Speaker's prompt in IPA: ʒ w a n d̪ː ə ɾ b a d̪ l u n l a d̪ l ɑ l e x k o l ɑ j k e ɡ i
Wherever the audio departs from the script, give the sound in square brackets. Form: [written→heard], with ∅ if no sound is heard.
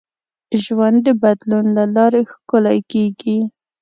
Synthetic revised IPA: ʒ w a n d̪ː ə [ɾ→∅] b a d̪ l u n l a [d̪→∅] l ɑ [l→ɾ] e x k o l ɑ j k e ɡ i